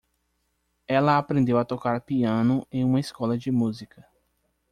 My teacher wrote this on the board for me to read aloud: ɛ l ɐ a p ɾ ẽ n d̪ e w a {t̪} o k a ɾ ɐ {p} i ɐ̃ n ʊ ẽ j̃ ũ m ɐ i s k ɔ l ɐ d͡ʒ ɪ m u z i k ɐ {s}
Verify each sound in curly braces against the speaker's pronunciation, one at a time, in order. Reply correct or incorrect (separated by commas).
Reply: correct, correct, incorrect